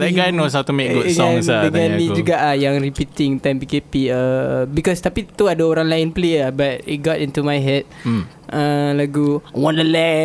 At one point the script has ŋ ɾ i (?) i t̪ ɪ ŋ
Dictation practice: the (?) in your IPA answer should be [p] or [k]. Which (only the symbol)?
p